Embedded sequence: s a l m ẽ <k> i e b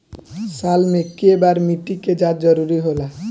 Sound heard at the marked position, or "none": k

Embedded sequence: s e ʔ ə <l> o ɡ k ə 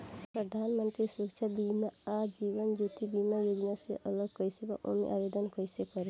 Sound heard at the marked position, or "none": l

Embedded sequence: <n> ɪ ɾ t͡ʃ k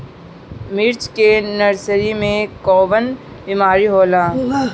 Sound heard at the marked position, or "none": m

